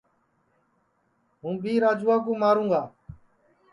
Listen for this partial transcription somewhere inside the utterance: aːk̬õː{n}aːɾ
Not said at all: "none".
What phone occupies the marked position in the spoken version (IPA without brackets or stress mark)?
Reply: m